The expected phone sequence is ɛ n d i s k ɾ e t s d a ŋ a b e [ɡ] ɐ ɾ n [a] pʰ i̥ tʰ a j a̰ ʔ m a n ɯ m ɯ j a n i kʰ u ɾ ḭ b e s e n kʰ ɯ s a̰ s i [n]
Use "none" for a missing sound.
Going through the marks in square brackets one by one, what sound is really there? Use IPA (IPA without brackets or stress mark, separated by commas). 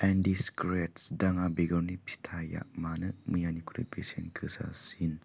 ɡ, i, n